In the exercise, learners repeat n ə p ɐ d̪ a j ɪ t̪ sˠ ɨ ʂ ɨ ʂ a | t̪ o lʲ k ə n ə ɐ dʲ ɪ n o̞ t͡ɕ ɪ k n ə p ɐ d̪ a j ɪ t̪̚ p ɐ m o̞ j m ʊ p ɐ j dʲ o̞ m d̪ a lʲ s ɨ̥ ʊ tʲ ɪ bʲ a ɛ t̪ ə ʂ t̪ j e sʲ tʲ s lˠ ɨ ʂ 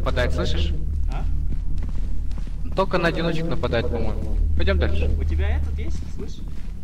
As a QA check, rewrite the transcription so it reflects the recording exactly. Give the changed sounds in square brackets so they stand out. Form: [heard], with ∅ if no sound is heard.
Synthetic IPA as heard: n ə p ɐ d̪ a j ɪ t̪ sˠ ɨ ʂ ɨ ʂ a | t̪ o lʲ k ə n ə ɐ dʲ ɪ n o̞ t͡ɕ ɪ k n ə p ɐ d̪ a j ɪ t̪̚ p ɐ m o̞ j m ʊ p ɐ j dʲ o̞ m d̪ a lʲ [ʂ] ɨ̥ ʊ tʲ ɪ bʲ a ɛ t̪ ə [∅] t̪ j e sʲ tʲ s lˠ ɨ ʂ